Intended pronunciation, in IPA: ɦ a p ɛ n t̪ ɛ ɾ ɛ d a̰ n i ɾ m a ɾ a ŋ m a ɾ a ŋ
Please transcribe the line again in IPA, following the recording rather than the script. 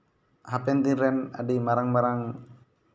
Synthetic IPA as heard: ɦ a p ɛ n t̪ i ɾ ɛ n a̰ d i m a ɾ a ŋ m a ɾ a ŋ